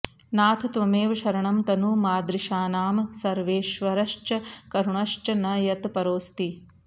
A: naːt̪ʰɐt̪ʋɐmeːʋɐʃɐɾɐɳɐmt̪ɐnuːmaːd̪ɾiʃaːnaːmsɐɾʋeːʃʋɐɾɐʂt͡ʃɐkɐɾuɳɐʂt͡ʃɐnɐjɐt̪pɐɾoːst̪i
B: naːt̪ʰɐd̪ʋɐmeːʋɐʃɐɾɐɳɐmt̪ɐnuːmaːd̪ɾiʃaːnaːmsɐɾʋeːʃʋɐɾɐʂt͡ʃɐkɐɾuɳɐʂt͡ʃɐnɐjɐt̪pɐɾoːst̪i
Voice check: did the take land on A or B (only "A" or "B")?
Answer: A